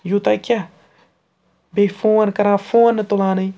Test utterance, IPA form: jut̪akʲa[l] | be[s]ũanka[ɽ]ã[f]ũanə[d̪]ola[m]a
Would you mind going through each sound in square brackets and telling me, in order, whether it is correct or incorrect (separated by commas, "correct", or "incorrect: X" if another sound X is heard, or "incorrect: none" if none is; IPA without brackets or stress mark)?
incorrect: none, incorrect: f, incorrect: ɾ, correct, incorrect: t̪, incorrect: n